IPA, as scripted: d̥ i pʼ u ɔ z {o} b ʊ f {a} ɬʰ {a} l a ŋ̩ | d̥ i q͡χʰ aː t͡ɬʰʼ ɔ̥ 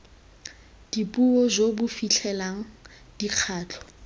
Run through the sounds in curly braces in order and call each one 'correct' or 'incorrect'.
correct, incorrect: i, incorrect: ɛ

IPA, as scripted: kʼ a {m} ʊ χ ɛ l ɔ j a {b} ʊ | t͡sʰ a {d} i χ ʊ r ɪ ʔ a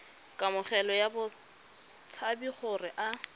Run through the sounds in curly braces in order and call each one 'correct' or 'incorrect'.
correct, correct, incorrect: b

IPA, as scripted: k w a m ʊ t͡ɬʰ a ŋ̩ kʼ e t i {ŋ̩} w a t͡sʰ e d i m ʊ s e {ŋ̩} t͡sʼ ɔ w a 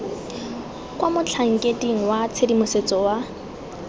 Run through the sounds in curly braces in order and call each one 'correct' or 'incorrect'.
correct, incorrect: none

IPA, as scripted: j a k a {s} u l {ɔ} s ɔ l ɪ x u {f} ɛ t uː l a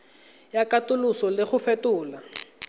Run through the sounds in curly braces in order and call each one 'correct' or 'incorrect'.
incorrect: t, incorrect: u, correct

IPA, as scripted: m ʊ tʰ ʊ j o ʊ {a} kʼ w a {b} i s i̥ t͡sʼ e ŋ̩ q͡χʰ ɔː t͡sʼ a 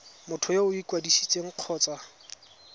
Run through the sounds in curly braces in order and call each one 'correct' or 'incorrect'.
incorrect: i, incorrect: d

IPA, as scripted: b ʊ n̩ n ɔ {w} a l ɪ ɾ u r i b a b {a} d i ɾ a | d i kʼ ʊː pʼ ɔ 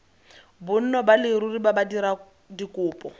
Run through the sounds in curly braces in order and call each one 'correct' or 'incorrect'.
incorrect: b, correct

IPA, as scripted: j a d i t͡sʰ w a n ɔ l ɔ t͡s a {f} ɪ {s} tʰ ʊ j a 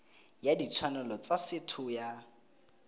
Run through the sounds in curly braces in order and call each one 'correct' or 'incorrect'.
incorrect: s, incorrect: none

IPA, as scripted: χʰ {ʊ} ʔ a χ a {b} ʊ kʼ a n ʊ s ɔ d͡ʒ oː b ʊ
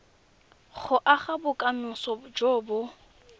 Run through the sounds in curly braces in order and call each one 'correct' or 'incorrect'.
correct, correct

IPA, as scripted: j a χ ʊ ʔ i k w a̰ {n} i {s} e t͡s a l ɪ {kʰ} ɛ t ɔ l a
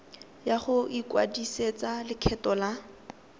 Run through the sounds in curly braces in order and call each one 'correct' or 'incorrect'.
incorrect: d, correct, correct

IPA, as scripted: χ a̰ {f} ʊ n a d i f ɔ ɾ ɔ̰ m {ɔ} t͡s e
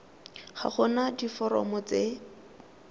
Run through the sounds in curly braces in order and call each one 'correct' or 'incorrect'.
incorrect: χ, correct

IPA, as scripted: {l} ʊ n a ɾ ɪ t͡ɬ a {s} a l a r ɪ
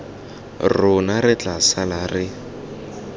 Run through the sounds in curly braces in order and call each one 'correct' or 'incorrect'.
incorrect: r, correct

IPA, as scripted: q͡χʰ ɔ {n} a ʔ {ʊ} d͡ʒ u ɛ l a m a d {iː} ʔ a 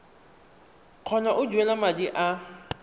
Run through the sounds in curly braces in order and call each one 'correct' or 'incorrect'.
correct, correct, incorrect: i

